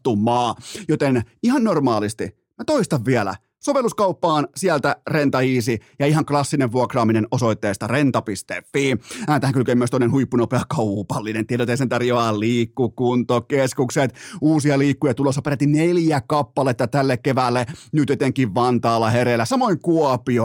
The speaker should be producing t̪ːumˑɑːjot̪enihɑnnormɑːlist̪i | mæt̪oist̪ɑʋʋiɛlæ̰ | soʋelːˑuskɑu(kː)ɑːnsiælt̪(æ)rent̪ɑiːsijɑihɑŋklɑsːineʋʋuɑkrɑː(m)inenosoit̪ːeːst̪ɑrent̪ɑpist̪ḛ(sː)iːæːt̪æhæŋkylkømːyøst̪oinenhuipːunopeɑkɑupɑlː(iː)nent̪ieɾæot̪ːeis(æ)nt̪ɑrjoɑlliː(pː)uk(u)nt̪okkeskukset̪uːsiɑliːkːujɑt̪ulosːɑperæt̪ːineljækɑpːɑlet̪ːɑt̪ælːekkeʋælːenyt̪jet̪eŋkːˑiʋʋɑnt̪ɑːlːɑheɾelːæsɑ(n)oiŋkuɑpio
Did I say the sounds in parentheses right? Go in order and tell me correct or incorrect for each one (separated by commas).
incorrect, correct, correct, incorrect, incorrect, incorrect, incorrect, correct, incorrect